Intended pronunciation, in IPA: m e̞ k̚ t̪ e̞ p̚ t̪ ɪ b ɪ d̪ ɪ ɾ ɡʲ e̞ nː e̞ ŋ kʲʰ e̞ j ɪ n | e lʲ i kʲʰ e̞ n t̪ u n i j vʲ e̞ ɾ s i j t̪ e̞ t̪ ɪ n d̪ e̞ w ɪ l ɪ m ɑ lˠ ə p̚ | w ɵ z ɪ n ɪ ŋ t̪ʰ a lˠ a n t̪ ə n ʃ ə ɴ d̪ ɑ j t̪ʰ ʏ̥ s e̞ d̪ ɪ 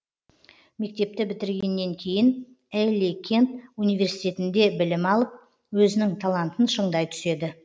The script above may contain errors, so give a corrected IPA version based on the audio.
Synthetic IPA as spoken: m e̞ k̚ t̪ e̞ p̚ t̪ ɪ b ɪ t̪ ɪ ɾ ɡʲ e̞ nː e̞ ŋ kʲʰ e̞ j ɪ n | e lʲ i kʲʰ e̞ n t̪ u n i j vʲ e̞ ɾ s i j t̪ e̞ t̪ ɪ n d̪ e̞ b ɪ l ɪ m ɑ lˠ ə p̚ | w ɵ z ɪ n ɪ ŋ t̪ʰ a lˠ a n t̪ ə n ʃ ə ɴ d̪ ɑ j t̪ʰ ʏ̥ s e̞ d̪ ɪ